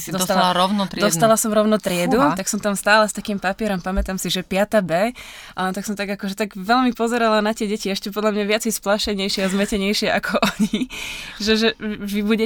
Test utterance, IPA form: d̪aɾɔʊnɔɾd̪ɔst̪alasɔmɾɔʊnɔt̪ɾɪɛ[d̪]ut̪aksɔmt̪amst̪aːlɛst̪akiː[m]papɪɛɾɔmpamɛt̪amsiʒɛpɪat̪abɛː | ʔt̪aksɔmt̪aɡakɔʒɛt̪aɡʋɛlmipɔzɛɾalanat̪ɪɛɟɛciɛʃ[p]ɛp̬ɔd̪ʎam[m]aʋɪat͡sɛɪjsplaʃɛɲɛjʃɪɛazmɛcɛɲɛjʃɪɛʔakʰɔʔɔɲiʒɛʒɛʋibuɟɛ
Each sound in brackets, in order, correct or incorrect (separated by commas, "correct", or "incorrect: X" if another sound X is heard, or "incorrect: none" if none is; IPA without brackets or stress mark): correct, correct, incorrect: c, incorrect: ɲ